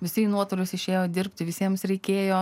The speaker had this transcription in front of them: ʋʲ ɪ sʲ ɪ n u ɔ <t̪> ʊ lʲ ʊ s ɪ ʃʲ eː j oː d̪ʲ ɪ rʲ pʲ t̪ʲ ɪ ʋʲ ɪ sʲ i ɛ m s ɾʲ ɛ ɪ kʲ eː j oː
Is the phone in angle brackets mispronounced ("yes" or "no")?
no